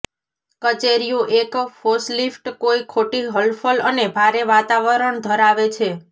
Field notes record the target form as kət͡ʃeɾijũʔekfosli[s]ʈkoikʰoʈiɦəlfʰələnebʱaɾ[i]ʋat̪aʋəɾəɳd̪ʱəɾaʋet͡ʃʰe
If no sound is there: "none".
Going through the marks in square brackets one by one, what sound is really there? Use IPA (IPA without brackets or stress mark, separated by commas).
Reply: f, e